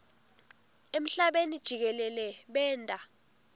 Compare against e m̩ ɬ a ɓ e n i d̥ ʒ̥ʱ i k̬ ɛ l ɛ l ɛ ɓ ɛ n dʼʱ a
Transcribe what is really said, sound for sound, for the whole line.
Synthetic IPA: e m̩ ɬ a ɓ e n i d̥ ʒ̥ʱ i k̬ ɛ l ɛ l ɛ ɓ ɛː n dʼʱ a